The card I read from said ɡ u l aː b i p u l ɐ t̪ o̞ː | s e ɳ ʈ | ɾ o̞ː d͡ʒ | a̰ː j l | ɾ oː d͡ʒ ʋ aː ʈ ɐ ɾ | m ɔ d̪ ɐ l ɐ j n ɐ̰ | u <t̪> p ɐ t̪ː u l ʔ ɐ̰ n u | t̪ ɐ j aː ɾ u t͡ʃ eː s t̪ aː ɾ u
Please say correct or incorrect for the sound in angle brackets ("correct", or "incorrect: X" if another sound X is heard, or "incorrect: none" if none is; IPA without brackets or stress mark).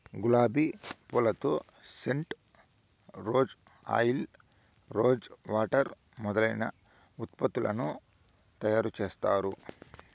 correct